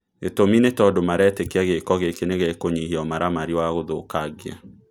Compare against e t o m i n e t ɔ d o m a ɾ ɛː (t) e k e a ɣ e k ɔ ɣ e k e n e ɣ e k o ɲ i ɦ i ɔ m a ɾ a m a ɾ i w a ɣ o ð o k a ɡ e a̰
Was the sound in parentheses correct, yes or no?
yes